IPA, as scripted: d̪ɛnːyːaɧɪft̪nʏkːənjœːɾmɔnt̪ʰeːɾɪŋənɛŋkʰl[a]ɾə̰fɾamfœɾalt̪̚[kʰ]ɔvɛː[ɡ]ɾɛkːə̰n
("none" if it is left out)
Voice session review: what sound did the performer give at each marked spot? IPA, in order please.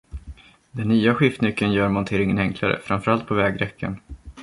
a, pʰ, ɡ

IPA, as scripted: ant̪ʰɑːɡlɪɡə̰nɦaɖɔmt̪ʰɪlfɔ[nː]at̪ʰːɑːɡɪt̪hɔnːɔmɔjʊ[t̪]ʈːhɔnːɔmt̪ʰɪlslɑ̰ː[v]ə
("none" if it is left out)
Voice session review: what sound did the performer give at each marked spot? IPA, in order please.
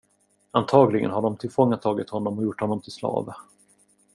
ŋː, none, v

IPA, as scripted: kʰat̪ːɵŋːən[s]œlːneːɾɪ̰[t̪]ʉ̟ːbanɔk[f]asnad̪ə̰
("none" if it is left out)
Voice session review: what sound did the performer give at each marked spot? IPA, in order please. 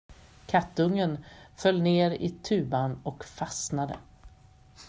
f, t̪ʰ, f

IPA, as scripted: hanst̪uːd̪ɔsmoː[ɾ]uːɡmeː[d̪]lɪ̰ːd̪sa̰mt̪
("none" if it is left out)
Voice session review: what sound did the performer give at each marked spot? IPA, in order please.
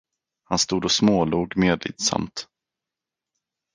l, d̪

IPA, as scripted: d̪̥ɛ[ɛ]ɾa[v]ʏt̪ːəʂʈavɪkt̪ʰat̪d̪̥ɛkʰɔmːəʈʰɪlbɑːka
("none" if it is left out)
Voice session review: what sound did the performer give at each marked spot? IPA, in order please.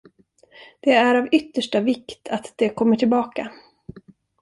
æ, v

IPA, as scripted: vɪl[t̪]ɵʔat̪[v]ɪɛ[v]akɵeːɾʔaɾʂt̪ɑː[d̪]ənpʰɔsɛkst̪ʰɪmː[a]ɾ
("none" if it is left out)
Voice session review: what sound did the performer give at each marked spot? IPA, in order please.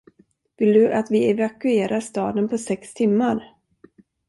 d̪, v, v, d̪, a

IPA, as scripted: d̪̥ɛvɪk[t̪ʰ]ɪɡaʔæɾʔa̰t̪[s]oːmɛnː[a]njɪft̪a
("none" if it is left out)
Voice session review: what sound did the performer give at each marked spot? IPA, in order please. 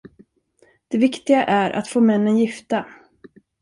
t̪, f, ə

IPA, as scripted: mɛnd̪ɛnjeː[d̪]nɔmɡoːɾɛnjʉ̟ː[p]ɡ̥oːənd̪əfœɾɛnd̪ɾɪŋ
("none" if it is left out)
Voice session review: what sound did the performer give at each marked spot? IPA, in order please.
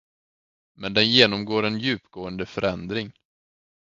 none, p

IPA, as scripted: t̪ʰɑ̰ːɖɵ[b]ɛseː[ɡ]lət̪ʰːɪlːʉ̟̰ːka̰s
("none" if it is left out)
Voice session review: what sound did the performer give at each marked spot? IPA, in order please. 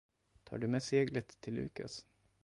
m, ɡ

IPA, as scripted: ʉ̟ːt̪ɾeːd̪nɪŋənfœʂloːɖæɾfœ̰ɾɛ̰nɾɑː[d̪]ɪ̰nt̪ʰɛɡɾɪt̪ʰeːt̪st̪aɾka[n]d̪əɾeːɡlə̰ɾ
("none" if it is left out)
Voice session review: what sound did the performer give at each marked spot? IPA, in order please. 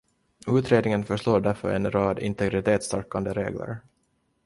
d̪, n

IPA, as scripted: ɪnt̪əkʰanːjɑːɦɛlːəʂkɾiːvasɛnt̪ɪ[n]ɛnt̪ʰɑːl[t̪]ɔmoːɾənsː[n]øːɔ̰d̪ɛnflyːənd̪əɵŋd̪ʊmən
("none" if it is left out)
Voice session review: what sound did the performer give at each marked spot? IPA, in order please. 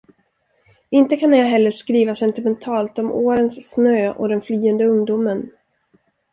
m, t̪, n

